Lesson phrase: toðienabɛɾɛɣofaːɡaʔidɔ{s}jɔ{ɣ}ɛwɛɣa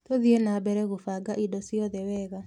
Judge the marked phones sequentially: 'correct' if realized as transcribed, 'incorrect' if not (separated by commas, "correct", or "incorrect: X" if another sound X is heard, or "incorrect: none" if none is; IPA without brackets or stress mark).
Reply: correct, incorrect: ð